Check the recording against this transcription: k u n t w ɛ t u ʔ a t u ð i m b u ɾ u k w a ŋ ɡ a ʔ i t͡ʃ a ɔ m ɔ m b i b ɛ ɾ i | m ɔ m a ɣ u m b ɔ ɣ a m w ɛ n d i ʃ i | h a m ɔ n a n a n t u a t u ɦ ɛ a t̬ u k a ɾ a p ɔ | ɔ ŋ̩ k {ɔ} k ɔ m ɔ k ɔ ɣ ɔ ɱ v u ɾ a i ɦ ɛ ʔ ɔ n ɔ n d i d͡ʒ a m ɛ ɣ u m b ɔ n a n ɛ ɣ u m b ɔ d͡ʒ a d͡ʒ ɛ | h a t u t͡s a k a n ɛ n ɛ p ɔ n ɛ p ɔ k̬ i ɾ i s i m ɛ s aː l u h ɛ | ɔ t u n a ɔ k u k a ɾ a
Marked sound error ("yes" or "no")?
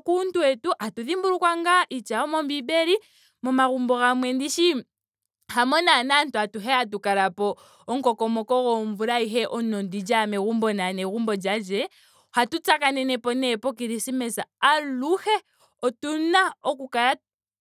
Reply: no